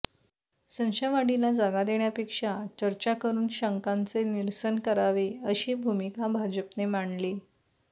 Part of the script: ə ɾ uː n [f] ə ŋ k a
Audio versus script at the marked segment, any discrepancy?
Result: yes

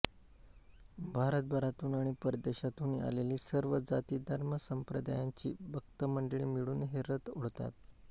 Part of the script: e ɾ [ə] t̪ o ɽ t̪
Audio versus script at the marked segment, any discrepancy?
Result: no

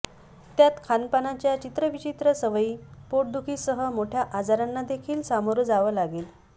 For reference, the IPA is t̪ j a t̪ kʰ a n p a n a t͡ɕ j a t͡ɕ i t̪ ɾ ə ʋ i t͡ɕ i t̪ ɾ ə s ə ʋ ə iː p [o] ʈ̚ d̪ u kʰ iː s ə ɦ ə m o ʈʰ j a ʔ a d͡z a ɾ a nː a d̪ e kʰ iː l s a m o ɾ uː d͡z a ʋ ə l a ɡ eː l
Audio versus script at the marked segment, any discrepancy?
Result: no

